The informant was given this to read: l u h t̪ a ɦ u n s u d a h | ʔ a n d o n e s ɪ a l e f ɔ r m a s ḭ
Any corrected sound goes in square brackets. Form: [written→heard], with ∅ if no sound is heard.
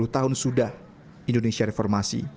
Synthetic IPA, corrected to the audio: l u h t̪ a ɦ [u→ʊ] n s u d a h | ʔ [a→i] n d o n e s [ɪ→i] a [l→ɾ] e f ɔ r m a s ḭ